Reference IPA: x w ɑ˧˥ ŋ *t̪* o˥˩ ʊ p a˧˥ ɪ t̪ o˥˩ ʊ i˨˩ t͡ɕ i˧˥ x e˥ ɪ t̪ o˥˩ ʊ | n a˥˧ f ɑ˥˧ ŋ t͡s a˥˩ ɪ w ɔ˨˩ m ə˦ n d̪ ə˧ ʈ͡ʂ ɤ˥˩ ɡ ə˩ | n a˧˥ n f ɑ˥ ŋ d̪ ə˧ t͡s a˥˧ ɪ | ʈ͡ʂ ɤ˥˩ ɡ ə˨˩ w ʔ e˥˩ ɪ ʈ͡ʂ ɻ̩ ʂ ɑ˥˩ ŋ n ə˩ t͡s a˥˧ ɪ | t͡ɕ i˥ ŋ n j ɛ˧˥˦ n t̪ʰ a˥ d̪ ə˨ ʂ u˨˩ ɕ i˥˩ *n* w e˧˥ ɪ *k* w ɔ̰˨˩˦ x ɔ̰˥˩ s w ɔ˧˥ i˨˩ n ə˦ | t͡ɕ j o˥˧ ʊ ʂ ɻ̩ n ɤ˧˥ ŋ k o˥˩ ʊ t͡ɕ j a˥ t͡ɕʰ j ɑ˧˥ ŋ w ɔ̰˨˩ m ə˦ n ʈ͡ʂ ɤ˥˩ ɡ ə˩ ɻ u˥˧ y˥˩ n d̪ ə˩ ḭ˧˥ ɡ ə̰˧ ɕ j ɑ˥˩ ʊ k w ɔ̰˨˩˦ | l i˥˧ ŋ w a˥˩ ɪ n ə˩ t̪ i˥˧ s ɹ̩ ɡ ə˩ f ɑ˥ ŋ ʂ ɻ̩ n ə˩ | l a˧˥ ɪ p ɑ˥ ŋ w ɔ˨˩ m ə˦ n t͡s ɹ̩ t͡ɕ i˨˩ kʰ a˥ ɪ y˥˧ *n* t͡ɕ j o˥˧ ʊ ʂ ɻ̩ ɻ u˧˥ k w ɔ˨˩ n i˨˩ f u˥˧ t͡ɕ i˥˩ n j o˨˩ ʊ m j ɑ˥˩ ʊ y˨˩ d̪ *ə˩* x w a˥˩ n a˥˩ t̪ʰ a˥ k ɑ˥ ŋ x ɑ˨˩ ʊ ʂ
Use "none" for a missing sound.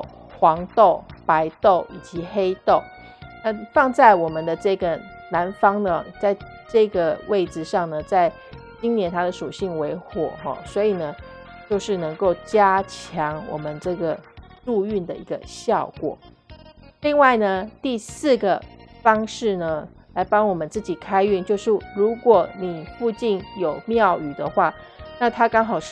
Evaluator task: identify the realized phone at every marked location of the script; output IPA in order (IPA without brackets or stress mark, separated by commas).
t̪, ŋ, x, n, ə˦